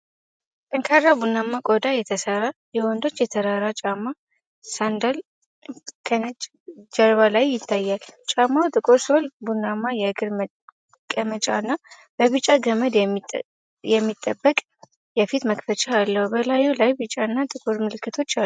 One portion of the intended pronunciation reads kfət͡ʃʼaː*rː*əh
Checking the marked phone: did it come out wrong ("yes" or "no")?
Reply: yes